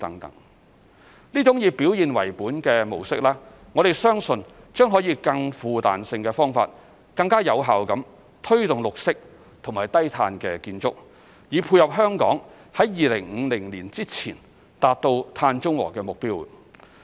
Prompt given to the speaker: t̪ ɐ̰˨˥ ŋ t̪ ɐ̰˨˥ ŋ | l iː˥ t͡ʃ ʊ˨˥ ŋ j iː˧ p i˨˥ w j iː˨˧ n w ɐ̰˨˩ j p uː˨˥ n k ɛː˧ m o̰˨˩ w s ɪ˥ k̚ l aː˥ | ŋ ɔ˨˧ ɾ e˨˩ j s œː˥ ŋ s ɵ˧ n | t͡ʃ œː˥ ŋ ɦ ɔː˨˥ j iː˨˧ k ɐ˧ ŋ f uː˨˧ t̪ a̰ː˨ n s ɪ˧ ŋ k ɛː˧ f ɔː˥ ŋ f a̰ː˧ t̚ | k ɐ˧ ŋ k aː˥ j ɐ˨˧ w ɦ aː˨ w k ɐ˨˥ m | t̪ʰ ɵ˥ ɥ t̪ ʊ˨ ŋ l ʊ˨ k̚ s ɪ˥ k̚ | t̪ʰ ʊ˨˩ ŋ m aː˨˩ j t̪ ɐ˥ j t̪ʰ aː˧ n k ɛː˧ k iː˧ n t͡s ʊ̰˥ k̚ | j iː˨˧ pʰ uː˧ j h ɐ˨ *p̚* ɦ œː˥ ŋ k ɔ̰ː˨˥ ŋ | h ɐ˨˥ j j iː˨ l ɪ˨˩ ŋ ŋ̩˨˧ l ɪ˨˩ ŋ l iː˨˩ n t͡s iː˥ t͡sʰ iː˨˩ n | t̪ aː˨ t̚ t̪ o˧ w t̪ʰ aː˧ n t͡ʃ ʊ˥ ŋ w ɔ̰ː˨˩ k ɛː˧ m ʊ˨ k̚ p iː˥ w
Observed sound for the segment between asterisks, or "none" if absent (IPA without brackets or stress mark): p̚